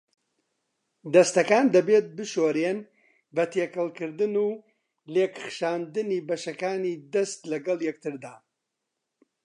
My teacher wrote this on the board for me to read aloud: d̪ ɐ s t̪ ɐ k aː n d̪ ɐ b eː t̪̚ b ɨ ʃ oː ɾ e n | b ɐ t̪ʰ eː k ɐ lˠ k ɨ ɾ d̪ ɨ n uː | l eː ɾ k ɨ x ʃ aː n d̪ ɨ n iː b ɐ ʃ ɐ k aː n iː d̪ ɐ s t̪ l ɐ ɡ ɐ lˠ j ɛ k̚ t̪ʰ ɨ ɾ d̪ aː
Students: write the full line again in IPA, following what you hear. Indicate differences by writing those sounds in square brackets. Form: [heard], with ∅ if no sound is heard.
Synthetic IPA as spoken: d̪ ɐ s t̪ ɐ k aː n d̪ ɐ b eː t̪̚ b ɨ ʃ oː ɾ e n | b ɐ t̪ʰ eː k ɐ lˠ k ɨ ɾ d̪ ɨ n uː | l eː [∅] k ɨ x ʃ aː n d̪ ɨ n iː b ɐ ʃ ɐ k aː n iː d̪ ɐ s t̪ l ɐ ɡ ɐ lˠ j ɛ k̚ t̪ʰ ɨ ɾ d̪ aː